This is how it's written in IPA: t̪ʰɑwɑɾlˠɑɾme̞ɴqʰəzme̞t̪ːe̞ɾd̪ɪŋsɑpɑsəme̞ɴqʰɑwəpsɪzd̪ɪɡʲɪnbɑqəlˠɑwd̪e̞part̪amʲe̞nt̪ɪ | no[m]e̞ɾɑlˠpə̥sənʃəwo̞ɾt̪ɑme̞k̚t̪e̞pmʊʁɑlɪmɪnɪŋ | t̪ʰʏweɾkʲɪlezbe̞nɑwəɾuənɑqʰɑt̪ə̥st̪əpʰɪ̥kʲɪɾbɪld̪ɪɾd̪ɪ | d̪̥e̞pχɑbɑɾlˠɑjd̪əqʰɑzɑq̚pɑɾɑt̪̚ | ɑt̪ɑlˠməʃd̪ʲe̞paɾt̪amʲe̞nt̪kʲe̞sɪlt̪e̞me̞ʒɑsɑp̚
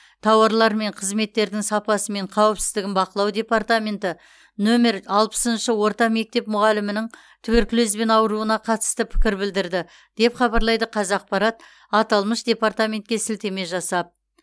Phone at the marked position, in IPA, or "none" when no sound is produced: m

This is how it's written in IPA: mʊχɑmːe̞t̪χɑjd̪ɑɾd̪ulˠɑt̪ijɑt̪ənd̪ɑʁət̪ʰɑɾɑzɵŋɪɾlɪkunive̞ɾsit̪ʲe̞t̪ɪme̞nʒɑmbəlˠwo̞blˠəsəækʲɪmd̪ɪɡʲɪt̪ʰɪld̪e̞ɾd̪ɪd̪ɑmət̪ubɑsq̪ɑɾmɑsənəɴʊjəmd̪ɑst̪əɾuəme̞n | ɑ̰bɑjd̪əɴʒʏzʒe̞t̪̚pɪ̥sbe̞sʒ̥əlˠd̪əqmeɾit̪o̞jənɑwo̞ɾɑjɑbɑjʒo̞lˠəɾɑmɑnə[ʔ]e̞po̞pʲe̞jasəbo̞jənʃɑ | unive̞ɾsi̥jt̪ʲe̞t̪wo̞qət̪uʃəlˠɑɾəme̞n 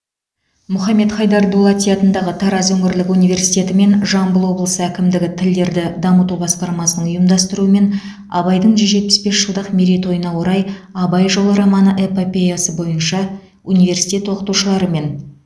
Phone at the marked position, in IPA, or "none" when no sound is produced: ʔ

